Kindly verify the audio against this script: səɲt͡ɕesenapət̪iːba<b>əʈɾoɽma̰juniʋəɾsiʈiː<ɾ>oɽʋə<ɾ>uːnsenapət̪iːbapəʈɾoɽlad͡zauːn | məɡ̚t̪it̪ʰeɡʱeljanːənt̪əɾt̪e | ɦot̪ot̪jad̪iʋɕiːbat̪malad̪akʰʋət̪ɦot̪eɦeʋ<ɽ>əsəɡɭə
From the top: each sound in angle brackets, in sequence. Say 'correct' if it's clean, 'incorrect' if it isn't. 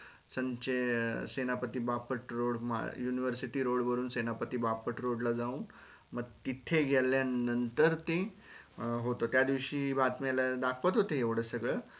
incorrect: p, correct, correct, correct

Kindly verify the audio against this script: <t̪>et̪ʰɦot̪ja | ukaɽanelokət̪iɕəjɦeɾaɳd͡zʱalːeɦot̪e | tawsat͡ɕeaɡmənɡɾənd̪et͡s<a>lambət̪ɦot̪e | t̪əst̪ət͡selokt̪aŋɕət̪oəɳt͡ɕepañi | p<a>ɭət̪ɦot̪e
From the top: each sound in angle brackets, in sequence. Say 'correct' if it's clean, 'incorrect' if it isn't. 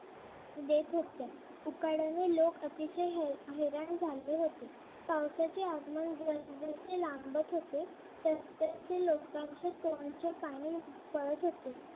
incorrect: d̪, incorrect: e, incorrect: ə

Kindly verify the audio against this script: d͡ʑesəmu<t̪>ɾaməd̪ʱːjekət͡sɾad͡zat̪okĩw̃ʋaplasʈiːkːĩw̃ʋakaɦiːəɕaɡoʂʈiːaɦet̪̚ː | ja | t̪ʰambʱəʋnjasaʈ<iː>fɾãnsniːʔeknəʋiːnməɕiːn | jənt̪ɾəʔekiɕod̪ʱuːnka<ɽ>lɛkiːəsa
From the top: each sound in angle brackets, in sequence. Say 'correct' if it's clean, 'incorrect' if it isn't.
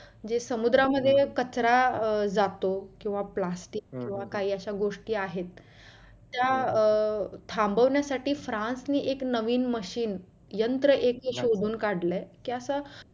incorrect: d̪, correct, correct

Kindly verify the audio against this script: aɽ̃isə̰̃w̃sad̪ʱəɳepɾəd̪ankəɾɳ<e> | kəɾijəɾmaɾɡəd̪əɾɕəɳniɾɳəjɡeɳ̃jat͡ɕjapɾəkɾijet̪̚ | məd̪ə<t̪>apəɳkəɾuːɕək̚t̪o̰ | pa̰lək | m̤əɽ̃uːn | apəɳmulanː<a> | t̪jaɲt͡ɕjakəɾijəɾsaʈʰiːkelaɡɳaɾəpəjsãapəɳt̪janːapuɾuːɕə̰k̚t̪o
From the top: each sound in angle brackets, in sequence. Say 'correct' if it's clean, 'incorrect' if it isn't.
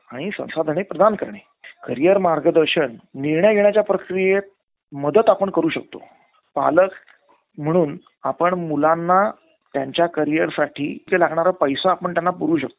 correct, correct, correct

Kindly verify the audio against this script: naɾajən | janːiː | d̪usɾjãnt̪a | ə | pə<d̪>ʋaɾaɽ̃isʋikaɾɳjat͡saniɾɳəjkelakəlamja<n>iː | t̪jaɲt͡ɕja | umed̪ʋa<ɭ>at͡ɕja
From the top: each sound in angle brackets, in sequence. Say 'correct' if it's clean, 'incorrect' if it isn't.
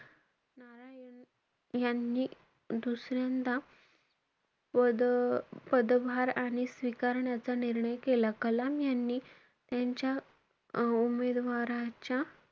correct, incorrect: nː, incorrect: ɾ

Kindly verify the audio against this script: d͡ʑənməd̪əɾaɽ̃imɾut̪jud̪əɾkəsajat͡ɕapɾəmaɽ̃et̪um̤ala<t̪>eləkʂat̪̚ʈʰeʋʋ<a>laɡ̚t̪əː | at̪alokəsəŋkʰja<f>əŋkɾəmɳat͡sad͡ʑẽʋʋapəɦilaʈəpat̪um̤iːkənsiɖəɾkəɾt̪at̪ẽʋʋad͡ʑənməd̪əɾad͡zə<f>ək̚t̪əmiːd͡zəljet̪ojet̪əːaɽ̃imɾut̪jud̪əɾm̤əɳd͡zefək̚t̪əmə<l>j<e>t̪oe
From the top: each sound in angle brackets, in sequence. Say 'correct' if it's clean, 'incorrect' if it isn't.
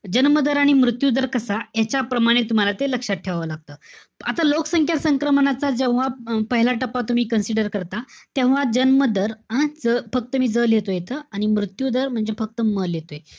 correct, incorrect: ə, incorrect: s, correct, correct, correct

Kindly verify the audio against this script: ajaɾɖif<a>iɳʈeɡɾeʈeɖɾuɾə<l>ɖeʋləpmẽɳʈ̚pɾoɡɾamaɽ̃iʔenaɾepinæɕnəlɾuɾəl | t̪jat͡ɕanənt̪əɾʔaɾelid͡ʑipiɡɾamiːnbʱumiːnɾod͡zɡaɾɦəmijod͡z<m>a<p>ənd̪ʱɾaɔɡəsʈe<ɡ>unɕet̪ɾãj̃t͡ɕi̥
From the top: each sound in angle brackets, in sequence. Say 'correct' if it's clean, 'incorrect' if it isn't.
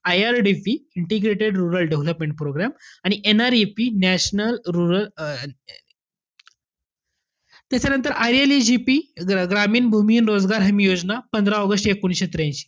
incorrect: i, correct, incorrect: n, correct, incorrect: k

